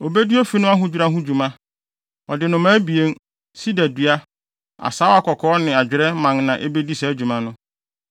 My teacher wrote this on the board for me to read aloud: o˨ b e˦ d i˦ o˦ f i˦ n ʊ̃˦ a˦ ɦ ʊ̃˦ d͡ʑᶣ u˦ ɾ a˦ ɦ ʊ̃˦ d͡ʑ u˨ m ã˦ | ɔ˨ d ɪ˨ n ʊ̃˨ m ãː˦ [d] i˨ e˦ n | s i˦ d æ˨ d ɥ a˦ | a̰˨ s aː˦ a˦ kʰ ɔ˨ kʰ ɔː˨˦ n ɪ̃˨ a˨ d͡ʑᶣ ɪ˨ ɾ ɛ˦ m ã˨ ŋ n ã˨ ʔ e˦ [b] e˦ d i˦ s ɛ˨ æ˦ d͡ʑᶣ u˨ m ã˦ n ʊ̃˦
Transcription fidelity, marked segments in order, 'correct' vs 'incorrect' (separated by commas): incorrect, correct